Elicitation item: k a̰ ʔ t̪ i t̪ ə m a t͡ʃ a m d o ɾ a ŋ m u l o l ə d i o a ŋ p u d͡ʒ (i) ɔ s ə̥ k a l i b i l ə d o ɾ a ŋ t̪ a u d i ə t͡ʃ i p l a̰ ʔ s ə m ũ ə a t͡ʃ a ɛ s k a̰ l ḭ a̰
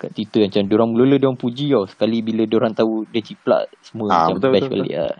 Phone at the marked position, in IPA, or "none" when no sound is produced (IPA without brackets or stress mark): i